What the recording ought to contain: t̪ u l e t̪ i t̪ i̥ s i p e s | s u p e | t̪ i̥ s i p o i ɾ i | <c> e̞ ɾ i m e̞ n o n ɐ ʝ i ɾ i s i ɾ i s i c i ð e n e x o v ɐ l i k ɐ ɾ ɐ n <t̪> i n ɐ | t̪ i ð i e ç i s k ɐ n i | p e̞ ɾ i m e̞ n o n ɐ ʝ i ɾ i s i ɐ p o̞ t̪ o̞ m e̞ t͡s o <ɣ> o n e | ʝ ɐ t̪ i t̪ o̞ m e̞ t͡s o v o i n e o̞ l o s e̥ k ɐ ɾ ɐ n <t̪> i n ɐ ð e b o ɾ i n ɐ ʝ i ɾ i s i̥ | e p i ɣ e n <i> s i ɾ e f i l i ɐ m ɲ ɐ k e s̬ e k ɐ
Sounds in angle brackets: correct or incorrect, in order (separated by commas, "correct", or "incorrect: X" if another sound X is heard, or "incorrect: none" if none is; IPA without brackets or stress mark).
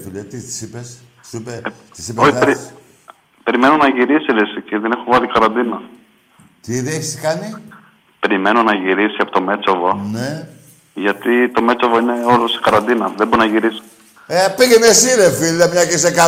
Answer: incorrect: p, incorrect: d̪, incorrect: v, incorrect: d̪, incorrect: e